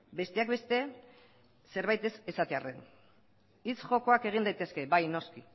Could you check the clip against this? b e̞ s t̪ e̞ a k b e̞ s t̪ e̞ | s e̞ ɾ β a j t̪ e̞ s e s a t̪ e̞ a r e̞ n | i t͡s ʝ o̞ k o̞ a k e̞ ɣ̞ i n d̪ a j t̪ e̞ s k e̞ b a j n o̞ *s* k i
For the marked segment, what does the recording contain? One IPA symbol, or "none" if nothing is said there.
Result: s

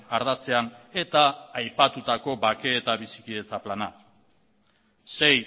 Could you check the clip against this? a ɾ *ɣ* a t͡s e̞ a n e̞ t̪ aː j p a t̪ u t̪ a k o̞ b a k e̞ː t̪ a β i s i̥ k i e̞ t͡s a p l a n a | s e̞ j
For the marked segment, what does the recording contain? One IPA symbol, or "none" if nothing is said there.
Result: ð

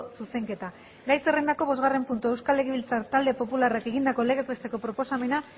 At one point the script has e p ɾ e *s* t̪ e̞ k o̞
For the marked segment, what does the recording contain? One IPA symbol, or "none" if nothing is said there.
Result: s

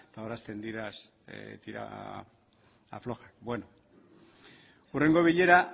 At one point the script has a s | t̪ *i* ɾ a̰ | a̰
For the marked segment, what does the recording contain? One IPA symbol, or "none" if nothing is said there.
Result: i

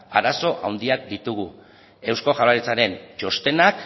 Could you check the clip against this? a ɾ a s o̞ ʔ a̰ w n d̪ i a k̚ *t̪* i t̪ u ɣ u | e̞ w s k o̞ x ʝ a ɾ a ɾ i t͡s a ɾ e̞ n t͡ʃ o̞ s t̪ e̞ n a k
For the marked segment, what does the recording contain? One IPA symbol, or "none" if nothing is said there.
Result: d̪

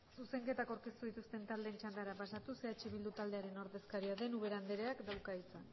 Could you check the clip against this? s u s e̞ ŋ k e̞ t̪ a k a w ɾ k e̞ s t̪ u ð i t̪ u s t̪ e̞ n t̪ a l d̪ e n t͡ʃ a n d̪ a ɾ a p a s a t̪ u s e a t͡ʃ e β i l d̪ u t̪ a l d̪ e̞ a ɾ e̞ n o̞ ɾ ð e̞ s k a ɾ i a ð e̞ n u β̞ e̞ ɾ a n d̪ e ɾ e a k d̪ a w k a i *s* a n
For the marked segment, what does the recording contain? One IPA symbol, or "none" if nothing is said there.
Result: t͡s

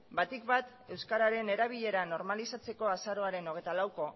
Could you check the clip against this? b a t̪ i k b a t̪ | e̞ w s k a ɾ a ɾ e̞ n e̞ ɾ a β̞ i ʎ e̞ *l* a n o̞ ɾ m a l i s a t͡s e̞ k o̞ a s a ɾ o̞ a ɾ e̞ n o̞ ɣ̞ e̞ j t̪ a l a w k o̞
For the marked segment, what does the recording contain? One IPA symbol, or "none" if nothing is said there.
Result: ɾ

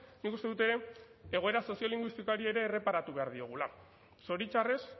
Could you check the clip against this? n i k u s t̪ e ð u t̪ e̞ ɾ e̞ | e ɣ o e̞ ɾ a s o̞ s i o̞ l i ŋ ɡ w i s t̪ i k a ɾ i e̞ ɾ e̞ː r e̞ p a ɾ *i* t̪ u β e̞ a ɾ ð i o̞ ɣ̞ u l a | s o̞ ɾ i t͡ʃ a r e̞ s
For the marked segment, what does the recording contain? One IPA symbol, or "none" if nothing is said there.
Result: a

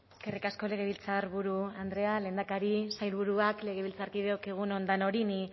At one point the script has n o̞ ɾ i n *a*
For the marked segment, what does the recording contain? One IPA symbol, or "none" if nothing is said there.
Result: i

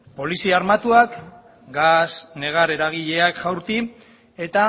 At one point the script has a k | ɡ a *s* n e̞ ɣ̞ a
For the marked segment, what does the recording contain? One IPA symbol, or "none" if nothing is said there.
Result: s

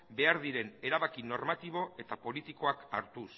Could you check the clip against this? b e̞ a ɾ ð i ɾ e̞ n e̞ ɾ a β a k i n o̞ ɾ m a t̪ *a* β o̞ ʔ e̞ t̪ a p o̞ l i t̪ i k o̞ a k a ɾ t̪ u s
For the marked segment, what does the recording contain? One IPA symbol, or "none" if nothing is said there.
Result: i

